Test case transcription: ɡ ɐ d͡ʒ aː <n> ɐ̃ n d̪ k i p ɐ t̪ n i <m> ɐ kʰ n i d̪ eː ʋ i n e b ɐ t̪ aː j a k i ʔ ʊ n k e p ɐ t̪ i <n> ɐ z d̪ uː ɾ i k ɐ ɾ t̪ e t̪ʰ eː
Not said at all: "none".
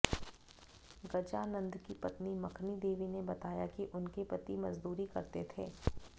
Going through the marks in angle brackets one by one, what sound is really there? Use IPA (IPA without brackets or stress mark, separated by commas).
n, m, m